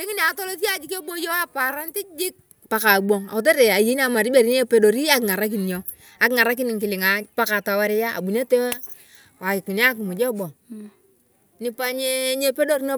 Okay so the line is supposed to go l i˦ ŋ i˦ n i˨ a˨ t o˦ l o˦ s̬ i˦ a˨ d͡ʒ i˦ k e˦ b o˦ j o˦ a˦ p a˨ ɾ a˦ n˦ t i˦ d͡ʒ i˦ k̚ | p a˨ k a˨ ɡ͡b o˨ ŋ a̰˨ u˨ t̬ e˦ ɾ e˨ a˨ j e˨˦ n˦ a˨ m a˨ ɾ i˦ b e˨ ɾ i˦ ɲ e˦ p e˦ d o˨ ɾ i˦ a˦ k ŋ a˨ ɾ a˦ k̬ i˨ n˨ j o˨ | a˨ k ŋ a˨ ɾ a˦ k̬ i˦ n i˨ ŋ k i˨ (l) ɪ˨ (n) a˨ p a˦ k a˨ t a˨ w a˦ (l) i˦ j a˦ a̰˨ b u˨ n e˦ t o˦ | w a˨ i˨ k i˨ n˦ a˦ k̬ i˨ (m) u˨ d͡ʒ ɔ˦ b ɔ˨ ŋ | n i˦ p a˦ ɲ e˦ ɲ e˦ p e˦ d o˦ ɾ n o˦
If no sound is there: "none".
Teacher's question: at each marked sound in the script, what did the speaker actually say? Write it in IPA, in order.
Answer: l, ŋ, ɾ, m

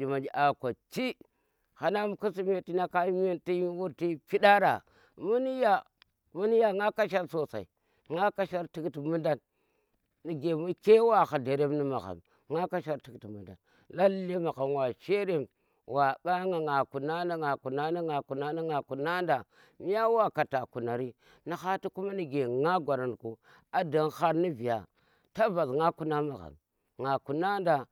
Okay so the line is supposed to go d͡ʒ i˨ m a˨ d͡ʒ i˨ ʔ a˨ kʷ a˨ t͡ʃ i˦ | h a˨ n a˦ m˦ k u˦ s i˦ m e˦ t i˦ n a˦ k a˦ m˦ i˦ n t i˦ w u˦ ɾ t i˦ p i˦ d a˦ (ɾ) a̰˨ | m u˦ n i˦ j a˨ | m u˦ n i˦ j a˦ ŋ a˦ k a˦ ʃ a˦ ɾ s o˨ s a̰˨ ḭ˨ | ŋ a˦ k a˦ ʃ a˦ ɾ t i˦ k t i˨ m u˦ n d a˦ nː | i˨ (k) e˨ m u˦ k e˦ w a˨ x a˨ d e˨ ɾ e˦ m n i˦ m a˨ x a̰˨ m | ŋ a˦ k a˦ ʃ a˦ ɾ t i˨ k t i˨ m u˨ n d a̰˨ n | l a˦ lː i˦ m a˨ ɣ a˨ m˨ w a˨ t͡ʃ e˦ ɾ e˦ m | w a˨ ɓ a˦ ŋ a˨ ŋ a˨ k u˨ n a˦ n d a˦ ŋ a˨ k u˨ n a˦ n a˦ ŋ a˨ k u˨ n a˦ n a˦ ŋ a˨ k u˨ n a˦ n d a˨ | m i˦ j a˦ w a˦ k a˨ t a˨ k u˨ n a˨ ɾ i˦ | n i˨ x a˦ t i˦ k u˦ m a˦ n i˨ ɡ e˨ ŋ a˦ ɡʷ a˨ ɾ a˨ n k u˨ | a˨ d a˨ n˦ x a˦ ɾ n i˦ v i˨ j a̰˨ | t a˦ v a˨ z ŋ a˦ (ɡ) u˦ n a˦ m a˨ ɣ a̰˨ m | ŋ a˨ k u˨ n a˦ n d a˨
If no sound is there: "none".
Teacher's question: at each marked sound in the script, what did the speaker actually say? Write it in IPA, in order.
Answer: ɾ, ɡ, k

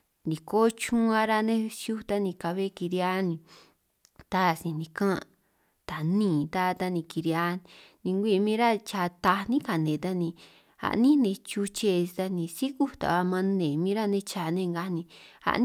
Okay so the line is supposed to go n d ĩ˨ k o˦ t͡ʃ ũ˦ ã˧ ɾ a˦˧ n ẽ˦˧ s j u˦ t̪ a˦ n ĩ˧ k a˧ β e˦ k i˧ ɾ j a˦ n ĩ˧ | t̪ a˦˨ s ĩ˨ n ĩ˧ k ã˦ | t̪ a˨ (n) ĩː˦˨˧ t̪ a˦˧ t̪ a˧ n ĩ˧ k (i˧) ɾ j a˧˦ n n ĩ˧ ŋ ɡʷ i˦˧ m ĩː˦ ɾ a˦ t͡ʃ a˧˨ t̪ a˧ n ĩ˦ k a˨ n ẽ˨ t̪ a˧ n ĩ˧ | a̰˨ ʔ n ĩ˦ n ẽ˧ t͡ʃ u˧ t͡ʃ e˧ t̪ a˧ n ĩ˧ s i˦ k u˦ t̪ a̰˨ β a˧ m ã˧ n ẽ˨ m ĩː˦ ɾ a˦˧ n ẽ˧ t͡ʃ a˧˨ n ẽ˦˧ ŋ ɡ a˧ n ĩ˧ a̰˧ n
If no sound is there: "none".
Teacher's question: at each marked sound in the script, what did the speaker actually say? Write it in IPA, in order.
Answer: n, i˧

